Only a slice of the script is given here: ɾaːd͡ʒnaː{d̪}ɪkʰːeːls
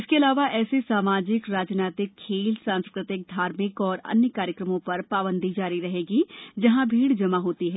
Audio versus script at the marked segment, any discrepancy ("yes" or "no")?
yes